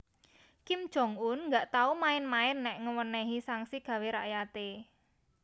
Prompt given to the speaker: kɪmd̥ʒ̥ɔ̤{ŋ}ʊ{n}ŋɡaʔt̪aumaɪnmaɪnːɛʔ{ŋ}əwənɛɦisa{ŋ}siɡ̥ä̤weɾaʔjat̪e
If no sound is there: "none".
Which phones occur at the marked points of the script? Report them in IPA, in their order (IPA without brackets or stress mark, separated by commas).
ŋ, n, ŋ, ŋ